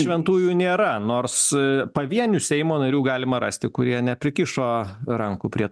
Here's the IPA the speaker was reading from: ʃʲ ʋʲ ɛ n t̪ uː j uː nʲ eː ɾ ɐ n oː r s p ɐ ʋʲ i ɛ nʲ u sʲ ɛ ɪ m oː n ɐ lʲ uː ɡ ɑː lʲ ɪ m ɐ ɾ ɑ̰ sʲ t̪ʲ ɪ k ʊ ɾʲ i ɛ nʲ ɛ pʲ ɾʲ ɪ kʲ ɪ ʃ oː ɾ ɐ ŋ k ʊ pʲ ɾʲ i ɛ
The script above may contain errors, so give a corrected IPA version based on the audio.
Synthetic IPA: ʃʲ ʋʲ ɛ n t̪ uː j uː nʲ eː ɾ ɐ n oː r s p ɐ ʋʲ i ɛ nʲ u sʲ ɛ ɪ m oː n ɐ ɾʲ uː ɡ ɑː lʲ ɪ m ɐ ɾ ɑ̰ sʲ t̪ʲ ɪ k ʊ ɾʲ i ɛ nʲ ɛ pʲ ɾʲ ɪ kʲ ɪ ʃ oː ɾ ɐ ŋ k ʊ pʲ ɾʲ i ɛ

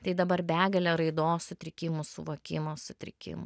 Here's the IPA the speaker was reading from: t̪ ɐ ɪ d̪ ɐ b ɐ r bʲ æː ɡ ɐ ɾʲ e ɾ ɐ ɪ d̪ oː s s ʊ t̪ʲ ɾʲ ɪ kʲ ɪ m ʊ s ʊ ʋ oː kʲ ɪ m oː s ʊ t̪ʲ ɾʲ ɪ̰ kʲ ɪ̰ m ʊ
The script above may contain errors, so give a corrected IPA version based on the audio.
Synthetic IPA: t̪ ɐ ɪ d̪ ɐ b ɐ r bʲ æː ɡ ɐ lʲ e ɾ ɐ ɪ d̪ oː s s ʊ t̪ʲ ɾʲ ɪ kʲ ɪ m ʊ s ʊ ʋ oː kʲ ɪ m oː s ʊ t̪ʲ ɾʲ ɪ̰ kʲ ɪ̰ m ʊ

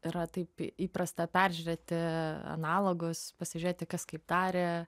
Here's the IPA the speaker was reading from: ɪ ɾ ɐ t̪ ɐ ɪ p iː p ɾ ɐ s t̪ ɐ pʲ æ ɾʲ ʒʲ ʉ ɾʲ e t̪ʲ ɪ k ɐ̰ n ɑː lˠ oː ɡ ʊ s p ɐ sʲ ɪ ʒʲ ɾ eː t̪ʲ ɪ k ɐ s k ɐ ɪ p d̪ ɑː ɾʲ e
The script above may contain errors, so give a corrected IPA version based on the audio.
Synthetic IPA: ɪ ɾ ɐ t̪ ɐ ɪ p iː p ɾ ɐ s t̪ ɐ pʲ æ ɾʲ ʒʲ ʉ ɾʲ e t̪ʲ ɪ ɐ̰ n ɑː lˠ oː ɡ ʊ s p ɐ sʲ ɪ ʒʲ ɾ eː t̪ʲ ɪ k ɐ s k ɐ ɪ p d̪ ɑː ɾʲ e

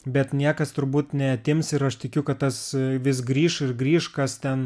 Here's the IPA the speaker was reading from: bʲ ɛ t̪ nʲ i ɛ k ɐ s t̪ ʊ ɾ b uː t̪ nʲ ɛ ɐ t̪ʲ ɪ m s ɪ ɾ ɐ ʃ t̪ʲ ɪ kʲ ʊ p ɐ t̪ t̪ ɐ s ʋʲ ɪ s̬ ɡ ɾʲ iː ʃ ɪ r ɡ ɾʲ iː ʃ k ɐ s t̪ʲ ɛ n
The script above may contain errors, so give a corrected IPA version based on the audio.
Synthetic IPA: bʲ ɛ t̪ nʲ i ɛ k ɐ s t̪ ʊ ɾ b uː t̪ nʲ ɛ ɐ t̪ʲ ɪ m s ɪ ɾ ɐ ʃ t̪ʲ ɪ kʲ ʊ k ɐ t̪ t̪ ɐ s ʋʲ ɪ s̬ ɡ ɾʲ iː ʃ ɪ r ɡ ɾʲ iː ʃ k ɐ s t̪ʲ ɛ n

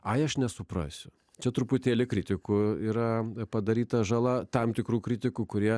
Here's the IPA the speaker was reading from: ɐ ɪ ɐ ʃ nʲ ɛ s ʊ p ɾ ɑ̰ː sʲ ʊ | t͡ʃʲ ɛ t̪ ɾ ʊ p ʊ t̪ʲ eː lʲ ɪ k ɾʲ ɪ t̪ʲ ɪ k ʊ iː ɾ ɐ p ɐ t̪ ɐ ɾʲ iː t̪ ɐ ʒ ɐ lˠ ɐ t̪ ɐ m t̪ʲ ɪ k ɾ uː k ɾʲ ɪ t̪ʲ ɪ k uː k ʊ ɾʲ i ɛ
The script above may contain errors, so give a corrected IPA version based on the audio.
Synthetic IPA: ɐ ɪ ɐ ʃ nʲ ɛ s ʊ p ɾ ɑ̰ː sʲ ʊ | t͡ʃʲ ɛ t̪ ɾ ʊ p ʊ t̪ʲ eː lʲ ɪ k ɾʲ ɪ t̪ʲ ɪ k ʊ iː ɾ ɐ p ɐ d̪ ɐ ɾʲ iː t̪ ɐ ʒ ɐ lˠ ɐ t̪ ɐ m t̪ʲ ɪ k ɾ uː k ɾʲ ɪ t̪ʲ ɪ k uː k ʊ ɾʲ i ɛ

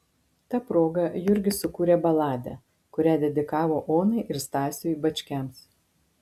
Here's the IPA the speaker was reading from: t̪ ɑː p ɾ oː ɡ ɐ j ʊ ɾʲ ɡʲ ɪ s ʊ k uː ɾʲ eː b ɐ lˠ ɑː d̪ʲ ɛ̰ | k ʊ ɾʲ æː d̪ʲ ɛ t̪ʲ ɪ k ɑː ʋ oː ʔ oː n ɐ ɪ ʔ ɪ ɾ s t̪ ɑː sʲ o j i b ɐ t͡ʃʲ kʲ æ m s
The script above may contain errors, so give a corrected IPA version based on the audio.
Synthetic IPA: t̪ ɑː p ɾ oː ɡ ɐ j ʊ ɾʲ ɡʲ ɪ s ʊ k uː ɾʲ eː b ɐ lˠ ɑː d̪ʲ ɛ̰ | k ʊ ɾʲ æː d̪ʲ ɛ d̪ʲ ɪ k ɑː ʋ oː ʔ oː n ɐ ɪ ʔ ɪ ɾ s t̪ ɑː sʲ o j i b ɐ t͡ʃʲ kʲ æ m s

